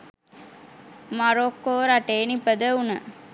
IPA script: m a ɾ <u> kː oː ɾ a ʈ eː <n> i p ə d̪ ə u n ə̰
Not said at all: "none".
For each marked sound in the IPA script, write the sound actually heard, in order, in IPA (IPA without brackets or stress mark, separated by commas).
o, n